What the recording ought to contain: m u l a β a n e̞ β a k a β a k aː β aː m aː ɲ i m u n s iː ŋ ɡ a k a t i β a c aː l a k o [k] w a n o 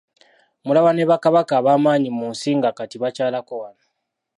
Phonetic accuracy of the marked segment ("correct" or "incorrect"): incorrect